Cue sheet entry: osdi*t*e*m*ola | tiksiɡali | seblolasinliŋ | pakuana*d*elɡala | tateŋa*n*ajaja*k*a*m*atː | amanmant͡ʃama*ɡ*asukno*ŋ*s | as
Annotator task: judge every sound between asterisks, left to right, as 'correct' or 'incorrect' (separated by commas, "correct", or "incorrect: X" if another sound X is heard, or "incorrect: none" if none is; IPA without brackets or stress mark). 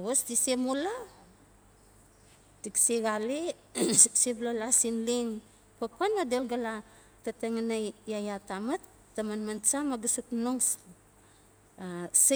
incorrect: s, correct, correct, correct, incorrect: t, correct, correct, correct